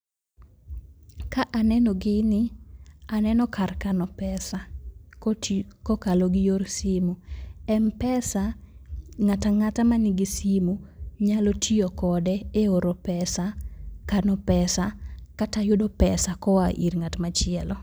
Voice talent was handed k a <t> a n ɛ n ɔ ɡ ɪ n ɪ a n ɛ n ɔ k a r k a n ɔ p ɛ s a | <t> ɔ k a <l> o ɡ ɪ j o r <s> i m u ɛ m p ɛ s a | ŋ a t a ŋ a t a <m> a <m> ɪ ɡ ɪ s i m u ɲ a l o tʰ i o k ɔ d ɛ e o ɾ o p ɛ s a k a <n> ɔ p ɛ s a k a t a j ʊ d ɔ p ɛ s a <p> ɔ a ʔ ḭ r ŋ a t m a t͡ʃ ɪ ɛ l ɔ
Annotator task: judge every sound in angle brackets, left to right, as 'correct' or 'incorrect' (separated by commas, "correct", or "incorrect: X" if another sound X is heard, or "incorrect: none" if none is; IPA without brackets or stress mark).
incorrect: ʔ, incorrect: k, correct, correct, correct, incorrect: n, correct, incorrect: k